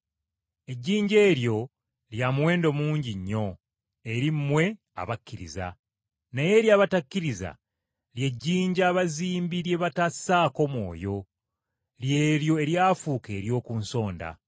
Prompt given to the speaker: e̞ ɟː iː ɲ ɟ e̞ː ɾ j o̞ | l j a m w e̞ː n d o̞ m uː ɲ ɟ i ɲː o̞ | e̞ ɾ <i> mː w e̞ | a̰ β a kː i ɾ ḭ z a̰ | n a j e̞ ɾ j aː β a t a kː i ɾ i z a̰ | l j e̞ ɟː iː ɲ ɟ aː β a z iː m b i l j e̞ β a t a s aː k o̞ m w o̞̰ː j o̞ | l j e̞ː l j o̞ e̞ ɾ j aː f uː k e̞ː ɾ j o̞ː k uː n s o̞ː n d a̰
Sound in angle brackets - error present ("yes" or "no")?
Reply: no